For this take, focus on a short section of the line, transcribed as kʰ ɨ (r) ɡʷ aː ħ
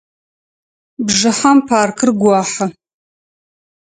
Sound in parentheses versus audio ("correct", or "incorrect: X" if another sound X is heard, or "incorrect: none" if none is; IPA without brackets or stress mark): correct